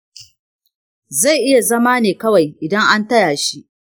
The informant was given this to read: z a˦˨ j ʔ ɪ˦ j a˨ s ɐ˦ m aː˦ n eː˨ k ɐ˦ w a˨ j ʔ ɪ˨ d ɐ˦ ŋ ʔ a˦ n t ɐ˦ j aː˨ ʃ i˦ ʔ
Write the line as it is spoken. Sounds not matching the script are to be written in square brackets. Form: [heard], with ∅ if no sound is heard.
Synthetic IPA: z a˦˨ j ʔ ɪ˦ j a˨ [z] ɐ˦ m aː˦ n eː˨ k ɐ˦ w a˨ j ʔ ɪ˨ d ɐ˦ ŋ ʔ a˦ n t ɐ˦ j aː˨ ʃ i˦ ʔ